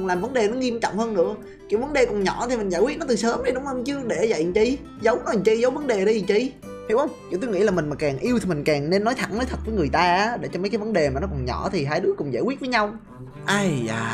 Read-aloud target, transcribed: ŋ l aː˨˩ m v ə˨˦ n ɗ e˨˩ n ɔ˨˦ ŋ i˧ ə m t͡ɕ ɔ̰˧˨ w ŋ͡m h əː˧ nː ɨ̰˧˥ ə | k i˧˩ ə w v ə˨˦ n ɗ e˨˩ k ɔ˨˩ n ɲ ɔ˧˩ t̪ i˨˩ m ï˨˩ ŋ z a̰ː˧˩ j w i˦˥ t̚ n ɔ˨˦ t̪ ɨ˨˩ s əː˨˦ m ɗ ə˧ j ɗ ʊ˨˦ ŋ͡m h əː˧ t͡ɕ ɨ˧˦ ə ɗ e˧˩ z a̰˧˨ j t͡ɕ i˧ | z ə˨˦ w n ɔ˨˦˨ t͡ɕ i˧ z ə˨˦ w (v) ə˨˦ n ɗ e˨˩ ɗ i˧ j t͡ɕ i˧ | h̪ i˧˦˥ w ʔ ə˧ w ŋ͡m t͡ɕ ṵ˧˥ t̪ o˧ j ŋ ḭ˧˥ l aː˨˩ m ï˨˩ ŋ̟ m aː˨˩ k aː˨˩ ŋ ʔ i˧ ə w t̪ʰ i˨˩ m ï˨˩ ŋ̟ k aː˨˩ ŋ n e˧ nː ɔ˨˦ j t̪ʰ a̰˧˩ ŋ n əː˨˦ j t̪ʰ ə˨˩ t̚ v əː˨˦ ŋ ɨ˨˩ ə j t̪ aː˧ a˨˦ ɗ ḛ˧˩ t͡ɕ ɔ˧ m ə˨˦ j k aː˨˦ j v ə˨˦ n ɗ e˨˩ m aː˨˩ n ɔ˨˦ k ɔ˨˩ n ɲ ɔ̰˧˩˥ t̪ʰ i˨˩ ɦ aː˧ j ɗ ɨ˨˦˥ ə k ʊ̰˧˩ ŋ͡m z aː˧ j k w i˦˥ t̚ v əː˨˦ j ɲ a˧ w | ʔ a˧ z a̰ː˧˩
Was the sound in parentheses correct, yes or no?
yes